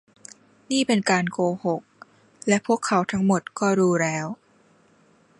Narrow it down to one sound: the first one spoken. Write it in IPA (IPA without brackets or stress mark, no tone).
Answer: n